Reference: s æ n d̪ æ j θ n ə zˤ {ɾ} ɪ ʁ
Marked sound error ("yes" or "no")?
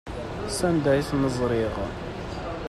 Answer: no